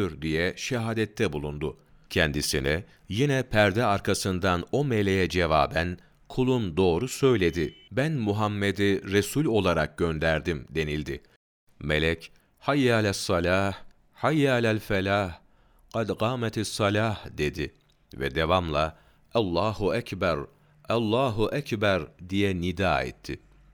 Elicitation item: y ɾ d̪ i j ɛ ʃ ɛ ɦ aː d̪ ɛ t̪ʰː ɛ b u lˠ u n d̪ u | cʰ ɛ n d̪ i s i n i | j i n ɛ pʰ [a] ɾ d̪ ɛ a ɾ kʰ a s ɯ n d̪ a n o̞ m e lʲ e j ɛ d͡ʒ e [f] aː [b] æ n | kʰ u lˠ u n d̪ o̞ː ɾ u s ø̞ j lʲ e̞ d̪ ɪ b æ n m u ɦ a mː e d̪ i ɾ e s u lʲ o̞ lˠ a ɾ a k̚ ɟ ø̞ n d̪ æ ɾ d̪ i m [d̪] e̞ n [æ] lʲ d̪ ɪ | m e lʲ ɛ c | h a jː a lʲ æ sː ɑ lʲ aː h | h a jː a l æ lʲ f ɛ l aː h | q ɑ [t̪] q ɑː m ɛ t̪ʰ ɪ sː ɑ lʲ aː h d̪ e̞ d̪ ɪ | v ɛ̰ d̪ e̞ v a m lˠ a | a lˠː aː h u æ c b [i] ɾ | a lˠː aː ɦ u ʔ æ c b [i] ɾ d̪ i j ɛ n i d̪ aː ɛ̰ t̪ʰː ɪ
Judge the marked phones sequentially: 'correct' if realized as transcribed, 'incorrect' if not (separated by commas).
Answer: incorrect, incorrect, correct, correct, incorrect, incorrect, incorrect, incorrect